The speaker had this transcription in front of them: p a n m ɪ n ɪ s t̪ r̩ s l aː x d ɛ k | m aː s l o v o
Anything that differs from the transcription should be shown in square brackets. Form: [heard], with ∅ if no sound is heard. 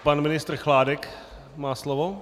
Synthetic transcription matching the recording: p a n m ɪ n ɪ s t̪ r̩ [x] l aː [∅] d ɛ k | m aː s l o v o